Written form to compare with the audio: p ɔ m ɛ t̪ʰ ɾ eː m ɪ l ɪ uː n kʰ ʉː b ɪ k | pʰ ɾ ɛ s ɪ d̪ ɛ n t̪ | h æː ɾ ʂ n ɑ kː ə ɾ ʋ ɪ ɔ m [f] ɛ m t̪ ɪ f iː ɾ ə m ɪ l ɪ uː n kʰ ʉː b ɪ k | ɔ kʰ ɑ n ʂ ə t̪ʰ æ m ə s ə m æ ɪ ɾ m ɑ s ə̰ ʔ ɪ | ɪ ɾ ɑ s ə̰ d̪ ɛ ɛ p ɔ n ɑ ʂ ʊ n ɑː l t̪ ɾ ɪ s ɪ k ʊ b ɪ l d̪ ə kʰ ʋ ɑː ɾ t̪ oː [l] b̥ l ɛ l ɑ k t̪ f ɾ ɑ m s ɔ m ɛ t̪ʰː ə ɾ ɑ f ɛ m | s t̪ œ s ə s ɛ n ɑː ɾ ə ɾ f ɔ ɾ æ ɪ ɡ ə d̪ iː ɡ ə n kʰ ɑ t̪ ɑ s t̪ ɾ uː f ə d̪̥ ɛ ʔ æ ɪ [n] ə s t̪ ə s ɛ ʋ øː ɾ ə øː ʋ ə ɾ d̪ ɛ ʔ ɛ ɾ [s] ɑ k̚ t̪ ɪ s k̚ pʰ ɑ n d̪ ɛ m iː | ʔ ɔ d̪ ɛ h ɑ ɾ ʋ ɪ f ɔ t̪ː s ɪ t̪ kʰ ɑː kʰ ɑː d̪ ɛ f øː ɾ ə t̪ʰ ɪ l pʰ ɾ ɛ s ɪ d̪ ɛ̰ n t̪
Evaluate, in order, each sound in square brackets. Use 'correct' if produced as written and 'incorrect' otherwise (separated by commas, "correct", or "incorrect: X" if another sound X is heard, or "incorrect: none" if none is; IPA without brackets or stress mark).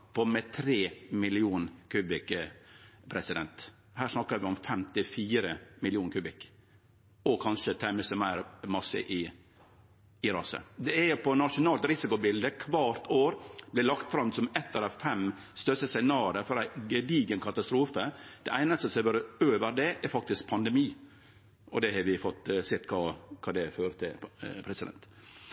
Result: correct, incorrect: ɾ, correct, incorrect: f